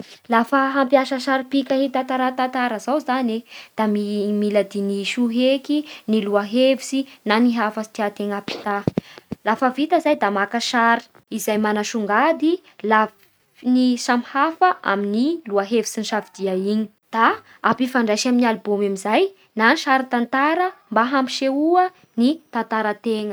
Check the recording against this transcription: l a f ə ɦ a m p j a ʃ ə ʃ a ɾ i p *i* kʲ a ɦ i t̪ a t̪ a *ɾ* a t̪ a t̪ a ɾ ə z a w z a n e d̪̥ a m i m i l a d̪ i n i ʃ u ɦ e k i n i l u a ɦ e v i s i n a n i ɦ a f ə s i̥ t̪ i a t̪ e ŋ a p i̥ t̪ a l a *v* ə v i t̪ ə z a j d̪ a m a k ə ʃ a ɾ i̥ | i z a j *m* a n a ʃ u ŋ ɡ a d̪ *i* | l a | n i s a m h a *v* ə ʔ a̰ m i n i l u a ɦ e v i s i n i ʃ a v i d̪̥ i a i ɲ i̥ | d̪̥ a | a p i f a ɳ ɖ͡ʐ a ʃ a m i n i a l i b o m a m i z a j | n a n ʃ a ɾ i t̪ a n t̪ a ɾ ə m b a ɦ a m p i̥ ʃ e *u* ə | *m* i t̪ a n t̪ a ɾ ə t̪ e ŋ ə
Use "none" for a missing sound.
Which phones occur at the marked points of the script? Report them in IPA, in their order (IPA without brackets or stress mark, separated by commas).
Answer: i, ɾ, f, m, i, f, u, n